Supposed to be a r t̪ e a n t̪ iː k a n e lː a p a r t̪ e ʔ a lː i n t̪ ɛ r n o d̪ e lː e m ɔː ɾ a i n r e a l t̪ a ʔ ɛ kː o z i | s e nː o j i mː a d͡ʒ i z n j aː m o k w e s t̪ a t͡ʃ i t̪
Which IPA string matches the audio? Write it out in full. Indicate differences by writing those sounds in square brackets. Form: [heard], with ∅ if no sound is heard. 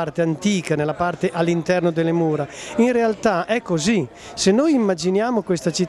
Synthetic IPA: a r t̪ e a n t̪ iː k a n e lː a p a r t̪ e ʔ a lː i n t̪ ɛ r n o d̪ e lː e m [uː] ɾ a i n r e a l t̪ a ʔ ɛ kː o z i | s e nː o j i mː a d͡ʒ i [∅] n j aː m o k w e s t̪ a t͡ʃ i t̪

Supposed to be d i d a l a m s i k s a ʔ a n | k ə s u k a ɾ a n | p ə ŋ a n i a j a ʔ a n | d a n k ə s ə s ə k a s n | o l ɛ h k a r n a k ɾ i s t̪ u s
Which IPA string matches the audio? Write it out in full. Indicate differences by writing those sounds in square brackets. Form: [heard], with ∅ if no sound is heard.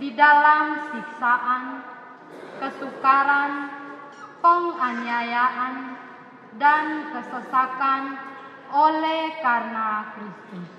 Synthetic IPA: d i d a l a m s i k s a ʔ a n | k ə s u k a ɾ a n | p ə ŋ a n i a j a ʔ a n | d a n k ə s ə s [a] k a [∅] n | o l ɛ h k a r n a k ɾ i s t̪ u s

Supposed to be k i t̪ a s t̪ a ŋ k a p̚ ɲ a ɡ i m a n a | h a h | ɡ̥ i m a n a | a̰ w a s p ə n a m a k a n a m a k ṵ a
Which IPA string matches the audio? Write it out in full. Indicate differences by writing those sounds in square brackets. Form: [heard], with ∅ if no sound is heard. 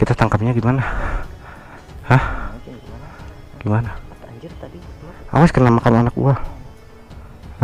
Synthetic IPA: k i t̪ a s t̪ a ŋ k a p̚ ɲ a ɡ i m a n a | h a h | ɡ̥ i m a n a | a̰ w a s [k] ə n a m a k a n a [n] a k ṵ a

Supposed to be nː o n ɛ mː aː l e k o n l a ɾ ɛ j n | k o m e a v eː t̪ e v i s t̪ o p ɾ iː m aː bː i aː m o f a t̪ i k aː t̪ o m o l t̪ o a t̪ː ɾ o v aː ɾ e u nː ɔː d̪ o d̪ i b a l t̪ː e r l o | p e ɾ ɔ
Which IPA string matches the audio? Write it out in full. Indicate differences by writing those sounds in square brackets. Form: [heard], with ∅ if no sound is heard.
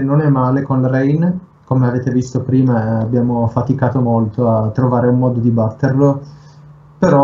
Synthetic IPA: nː o n ɛ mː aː l e k o n l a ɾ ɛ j n | k o m e a v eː t̪ e v i s t̪ o p ɾ iː m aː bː [j] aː m o f a t̪ i k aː t̪ o m o l t̪ o a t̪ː ɾ o v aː ɾ e u [mː] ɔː d̪ o d̪ i b a [∅] t̪ː e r l o | p e ɾ ɔ

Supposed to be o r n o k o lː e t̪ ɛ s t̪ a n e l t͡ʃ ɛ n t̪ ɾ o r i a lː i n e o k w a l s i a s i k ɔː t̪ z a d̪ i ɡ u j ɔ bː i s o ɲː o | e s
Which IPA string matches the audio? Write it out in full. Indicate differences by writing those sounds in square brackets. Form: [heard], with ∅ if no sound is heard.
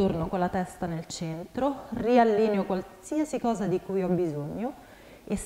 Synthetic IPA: o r n o k o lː [a] t̪ ɛ s t̪ a n e l t͡ʃ ɛ n t̪ ɾ o r i a lː i n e o k w a l s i a s i k ɔː [∅] z a d̪ i [k] u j ɔ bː i [z] o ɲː o | e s

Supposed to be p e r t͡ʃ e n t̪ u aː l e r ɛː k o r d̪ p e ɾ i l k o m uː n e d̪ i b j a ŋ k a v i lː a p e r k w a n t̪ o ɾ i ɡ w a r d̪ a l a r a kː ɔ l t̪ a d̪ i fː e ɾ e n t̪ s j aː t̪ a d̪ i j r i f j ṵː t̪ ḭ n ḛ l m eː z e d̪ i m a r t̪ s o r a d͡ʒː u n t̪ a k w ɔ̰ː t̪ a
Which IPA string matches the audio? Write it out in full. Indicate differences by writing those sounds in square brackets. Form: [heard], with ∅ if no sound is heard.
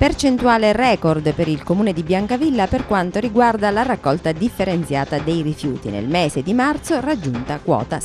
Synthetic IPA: p e r t͡ʃ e n t̪ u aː l e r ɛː k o r d̪ p e ɾ i l k o m uː n e d̪ i b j a ŋ k a v i lː a p e r k w a n t̪ o ɾ i ɡ w a r d̪ a l a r a kː ɔ l t̪ a d̪ i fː e ɾ e n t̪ s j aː t̪ a d̪ [e] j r i f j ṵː t̪ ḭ n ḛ l m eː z e d̪ i m a r t̪ s o r a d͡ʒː u n t̪ a k w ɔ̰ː t̪ a

